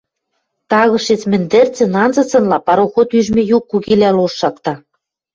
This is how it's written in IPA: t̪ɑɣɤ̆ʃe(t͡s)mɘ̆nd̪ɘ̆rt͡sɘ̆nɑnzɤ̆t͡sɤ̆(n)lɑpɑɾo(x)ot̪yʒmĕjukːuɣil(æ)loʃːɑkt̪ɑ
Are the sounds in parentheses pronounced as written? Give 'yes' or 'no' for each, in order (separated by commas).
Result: yes, yes, yes, yes